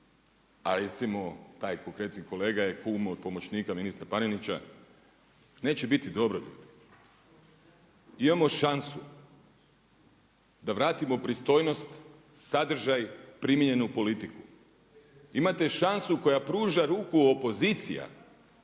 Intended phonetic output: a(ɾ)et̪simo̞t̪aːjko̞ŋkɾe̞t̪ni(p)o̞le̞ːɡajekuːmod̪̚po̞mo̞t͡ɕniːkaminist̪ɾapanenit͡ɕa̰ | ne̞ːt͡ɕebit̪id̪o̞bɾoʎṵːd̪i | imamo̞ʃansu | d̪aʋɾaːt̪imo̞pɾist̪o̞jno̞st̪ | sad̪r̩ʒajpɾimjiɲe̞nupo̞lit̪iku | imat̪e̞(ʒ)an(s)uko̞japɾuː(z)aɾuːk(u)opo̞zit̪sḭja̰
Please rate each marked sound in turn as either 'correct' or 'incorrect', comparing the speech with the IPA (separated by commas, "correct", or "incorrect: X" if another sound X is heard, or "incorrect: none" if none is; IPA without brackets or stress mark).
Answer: correct, incorrect: k, incorrect: ʃ, correct, incorrect: ʒ, correct